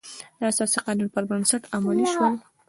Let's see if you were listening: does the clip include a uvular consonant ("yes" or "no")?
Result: yes